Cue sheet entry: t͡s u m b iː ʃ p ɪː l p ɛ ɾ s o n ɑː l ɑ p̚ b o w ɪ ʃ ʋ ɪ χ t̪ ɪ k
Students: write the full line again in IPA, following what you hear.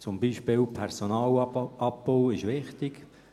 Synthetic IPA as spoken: t͡s ʊ m b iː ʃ p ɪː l pʰ ɛ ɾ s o n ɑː l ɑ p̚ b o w ɪ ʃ ʋ ɪ χ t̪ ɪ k